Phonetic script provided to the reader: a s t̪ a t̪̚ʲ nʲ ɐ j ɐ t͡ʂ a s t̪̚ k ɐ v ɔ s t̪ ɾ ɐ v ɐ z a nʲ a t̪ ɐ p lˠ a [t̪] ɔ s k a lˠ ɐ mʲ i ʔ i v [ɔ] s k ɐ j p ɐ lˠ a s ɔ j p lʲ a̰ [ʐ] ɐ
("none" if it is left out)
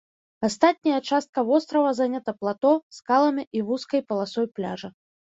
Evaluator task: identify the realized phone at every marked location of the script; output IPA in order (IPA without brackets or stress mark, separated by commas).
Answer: t̪, u, ʐ